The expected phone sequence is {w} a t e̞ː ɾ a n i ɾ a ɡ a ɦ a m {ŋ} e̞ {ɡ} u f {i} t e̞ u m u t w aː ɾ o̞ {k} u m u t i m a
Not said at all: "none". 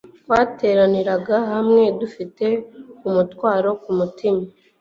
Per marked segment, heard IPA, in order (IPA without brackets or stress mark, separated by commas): w, ŋ, d, i, k